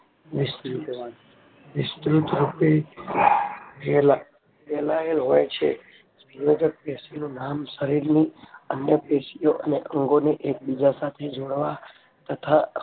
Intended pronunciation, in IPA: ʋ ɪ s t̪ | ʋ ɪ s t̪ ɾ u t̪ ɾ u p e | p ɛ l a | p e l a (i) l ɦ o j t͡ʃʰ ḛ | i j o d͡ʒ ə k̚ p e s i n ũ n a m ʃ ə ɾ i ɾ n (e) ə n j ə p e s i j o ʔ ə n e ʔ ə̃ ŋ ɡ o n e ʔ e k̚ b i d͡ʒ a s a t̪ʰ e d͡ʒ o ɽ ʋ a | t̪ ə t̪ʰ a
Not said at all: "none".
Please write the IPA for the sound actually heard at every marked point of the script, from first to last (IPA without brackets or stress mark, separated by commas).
e, i